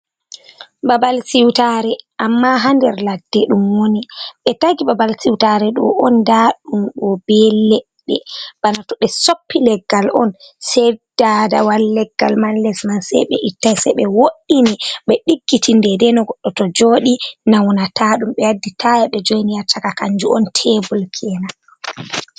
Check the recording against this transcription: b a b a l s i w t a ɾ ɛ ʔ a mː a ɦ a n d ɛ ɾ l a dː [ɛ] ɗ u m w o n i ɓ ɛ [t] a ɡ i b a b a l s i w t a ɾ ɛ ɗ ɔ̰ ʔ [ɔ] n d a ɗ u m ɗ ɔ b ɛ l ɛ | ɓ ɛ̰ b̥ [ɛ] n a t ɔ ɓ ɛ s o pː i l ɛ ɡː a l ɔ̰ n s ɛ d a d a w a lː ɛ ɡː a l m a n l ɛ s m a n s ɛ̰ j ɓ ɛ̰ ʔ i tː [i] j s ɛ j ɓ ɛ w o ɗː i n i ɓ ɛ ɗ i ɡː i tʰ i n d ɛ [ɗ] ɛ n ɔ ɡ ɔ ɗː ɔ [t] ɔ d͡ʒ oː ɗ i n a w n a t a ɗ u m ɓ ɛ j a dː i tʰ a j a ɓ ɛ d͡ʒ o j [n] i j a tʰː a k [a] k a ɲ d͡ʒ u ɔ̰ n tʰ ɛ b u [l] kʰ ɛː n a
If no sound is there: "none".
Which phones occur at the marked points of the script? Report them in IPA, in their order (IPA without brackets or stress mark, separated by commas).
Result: ɛ, t, ɔ, a, a, d, t, n, a, l